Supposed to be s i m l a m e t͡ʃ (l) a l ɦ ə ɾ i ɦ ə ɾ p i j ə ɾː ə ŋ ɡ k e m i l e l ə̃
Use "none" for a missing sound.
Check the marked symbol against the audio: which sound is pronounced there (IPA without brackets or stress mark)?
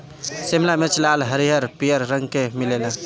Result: l